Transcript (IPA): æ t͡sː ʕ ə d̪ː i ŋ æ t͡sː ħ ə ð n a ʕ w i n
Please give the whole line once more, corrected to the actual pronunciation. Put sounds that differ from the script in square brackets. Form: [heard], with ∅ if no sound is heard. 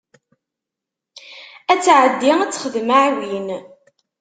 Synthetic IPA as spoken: æ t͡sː ʕ ə d̪ː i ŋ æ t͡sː [χ] ə ð [m] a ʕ w i n